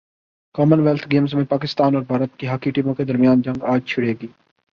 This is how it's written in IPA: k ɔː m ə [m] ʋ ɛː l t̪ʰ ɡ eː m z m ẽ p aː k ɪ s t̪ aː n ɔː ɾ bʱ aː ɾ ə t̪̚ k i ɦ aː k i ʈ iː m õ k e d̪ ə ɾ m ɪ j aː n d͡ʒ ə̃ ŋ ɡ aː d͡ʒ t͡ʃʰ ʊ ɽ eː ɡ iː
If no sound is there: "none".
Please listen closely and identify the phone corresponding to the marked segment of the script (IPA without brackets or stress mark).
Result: n